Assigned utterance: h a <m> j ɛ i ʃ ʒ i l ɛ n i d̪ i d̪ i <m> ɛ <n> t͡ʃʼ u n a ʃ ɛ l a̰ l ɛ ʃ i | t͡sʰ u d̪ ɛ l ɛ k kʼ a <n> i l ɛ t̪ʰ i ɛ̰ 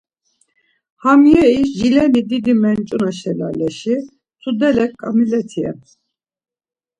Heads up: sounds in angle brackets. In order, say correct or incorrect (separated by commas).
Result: correct, correct, correct, incorrect